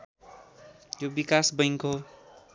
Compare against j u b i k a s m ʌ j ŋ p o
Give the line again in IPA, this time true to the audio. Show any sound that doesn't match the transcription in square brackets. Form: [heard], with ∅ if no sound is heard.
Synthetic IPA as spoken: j [o] b i k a s [b] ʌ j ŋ [k] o